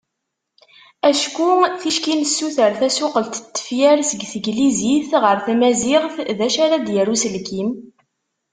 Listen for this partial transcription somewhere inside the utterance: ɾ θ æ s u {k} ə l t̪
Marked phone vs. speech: incorrect: q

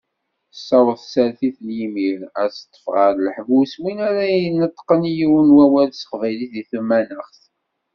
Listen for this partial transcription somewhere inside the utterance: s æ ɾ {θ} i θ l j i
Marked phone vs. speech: correct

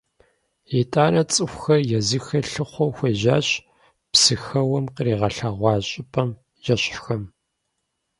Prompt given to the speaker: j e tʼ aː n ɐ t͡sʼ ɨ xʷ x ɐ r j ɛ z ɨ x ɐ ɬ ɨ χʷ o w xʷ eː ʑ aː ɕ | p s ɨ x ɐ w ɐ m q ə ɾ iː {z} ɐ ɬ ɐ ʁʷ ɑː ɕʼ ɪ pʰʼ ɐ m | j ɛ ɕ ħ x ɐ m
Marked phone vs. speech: incorrect: ʁ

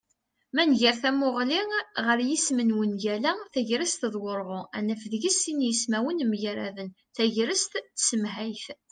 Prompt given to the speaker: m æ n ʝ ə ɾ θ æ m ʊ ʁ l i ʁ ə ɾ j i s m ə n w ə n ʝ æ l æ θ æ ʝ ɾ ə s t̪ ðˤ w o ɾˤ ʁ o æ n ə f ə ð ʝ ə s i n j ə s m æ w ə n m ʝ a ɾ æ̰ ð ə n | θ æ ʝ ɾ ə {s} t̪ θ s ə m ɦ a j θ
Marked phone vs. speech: correct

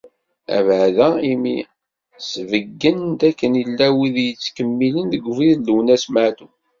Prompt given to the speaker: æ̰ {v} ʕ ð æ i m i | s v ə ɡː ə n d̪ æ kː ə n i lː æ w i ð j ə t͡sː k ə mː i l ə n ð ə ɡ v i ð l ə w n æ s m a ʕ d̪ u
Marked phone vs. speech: correct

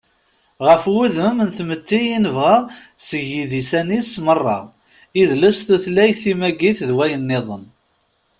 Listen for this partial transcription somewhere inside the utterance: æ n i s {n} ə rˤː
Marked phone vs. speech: incorrect: m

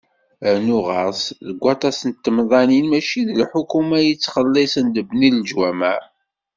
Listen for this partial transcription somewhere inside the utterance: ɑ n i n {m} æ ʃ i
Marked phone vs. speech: correct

